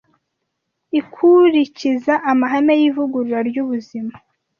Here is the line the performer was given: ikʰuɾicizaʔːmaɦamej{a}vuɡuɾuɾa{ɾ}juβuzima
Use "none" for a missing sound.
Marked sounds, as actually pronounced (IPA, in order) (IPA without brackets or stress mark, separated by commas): i, ɾ